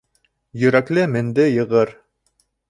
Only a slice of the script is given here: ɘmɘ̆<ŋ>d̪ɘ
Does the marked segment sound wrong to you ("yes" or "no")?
yes